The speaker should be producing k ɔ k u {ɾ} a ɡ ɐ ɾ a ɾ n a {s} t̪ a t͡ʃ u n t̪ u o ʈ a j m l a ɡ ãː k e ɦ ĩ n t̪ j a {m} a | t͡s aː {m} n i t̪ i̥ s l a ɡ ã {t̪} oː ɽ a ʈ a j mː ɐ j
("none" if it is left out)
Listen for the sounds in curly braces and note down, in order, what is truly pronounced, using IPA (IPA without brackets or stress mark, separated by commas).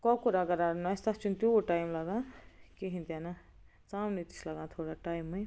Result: ɾ, s, n, m, t̪ʰ